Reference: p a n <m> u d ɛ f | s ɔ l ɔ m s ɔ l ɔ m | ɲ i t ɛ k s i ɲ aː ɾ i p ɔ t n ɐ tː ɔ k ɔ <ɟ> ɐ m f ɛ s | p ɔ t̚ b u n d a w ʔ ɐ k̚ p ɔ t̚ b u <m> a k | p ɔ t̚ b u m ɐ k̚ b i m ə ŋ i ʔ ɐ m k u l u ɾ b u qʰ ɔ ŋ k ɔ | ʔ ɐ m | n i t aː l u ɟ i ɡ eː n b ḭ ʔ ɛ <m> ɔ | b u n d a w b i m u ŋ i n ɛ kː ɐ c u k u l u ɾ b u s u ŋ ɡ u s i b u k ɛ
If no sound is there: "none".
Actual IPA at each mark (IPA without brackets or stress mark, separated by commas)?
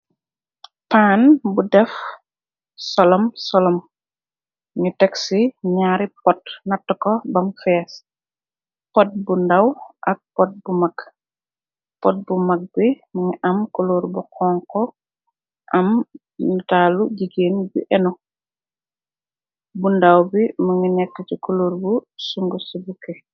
b, b, m, n